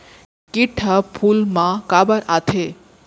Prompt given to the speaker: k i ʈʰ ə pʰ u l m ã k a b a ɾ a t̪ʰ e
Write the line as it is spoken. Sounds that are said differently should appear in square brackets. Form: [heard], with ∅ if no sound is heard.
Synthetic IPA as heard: k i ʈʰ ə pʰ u l m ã k a b [ə] ɾ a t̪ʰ e